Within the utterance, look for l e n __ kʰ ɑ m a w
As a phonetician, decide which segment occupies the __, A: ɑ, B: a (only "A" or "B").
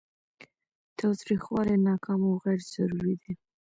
A